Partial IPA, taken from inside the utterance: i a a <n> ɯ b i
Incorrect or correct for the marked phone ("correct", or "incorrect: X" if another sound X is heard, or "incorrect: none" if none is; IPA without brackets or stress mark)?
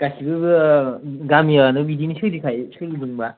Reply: correct